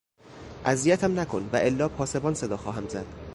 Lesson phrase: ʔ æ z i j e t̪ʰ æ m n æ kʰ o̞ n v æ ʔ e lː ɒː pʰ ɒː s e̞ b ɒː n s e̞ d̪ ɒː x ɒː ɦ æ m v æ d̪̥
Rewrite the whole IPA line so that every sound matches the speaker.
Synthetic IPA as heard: ʔ æ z i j æ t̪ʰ æ m n æ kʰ o̞ n v æ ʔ e lː ɒː pʰ ɒː s e̞ b ɒː n s e̞ d̪ ɒː x ɒː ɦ æ m z æ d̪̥